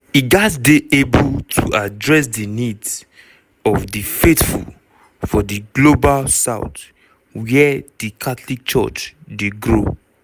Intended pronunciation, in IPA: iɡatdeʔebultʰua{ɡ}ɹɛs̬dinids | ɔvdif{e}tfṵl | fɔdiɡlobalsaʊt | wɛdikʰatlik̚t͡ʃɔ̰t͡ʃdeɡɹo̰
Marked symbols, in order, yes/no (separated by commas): no, yes